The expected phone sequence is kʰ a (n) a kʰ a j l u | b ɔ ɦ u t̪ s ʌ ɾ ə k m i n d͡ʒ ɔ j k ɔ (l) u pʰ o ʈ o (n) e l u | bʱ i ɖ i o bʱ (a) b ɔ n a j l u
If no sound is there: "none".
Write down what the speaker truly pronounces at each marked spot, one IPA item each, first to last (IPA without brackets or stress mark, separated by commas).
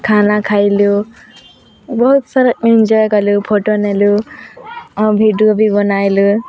n, l, n, i